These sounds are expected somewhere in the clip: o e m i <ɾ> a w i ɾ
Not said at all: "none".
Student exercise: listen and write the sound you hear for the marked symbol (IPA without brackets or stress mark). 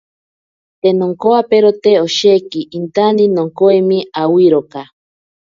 none